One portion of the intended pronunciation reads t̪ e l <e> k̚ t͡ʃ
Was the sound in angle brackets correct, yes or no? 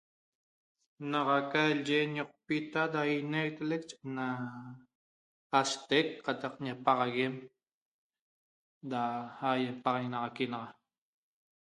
yes